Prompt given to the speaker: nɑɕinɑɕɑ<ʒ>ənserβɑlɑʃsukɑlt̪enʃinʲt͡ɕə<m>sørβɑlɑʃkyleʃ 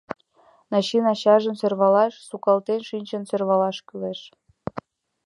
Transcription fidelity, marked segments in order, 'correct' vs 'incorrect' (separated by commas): correct, incorrect